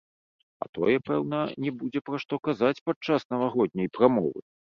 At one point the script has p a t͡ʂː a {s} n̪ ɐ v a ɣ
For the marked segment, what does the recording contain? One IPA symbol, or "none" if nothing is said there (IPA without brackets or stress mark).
s